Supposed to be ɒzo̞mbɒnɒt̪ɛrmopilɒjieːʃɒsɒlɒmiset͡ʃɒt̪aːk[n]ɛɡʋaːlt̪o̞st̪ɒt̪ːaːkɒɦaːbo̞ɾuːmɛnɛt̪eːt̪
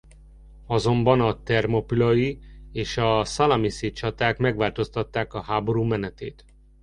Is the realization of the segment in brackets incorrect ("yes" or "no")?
yes